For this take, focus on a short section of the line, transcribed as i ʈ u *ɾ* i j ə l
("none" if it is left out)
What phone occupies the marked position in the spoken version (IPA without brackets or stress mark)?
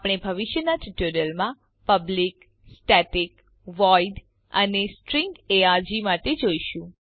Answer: ɾ